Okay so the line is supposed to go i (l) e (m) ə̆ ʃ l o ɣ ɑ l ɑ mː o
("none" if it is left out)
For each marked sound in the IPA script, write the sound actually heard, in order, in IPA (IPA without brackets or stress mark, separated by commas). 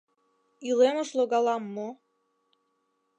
l, m